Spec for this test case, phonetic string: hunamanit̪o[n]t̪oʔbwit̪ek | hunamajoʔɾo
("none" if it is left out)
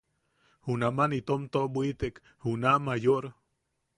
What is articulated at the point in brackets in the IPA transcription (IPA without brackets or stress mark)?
m